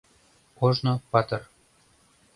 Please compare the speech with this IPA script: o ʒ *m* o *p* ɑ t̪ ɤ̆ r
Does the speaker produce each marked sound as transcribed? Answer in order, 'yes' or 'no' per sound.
no, yes

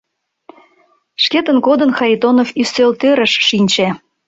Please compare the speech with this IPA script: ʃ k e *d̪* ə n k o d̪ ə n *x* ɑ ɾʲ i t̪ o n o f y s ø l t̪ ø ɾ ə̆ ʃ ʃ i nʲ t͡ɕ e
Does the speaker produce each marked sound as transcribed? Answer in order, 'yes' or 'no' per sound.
no, yes

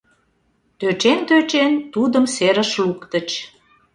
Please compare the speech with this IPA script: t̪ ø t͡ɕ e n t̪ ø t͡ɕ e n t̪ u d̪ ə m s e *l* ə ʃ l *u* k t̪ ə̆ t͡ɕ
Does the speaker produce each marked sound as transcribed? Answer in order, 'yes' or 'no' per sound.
no, yes

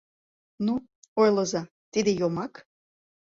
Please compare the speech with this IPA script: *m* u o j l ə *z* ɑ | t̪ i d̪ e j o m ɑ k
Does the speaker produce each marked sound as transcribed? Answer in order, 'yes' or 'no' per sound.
no, yes

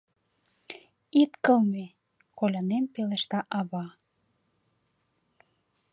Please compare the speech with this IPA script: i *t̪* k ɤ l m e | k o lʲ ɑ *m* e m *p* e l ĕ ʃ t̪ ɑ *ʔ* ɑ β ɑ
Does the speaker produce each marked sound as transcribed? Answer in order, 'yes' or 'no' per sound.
yes, no, yes, yes

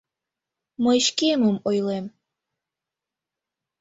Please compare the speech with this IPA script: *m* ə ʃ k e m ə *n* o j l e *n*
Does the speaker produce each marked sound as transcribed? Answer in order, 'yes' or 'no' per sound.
yes, no, no

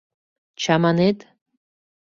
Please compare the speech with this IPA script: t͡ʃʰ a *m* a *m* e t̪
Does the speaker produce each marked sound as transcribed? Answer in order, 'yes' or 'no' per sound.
yes, no

